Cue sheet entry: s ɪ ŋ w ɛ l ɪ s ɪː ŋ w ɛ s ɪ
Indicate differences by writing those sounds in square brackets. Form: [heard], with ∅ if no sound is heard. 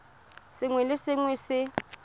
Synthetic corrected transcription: s ɪ ŋ w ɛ l ɪ s [ɪ] ŋ w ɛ s ɪ